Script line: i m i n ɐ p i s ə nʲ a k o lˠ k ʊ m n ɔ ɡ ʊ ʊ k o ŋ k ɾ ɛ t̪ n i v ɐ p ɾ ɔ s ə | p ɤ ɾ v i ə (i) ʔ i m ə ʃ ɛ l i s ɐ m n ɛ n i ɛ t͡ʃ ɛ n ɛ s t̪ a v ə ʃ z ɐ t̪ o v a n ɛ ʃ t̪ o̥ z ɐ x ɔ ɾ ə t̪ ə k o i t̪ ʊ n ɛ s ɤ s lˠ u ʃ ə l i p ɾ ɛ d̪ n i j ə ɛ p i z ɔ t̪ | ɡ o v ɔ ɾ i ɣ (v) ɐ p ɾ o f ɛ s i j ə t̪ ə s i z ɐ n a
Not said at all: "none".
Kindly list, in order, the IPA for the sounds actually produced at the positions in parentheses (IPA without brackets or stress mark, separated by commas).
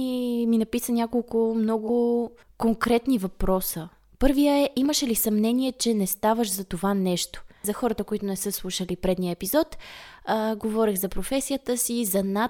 ɛ, z